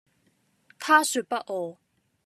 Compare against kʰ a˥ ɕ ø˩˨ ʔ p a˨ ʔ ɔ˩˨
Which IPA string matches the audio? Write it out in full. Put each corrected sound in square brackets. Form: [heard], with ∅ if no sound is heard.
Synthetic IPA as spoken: kʰ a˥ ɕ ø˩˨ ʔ p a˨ ʔ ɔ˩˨